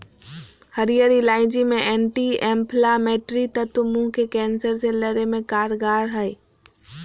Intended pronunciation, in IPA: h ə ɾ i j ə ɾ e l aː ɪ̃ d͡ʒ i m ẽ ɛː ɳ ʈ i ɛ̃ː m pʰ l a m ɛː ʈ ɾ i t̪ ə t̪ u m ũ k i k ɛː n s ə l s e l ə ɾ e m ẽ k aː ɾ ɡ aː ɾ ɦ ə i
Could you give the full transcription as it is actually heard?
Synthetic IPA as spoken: h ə ɾ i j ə ɾ i l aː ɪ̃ d͡ʒ i m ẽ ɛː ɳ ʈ i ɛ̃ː m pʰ l a m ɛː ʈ ɾ i t̪ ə t̪ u m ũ k e k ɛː n s ə ɾ s e l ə ɾ e m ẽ k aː ɾ ɡ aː ɾ ɦ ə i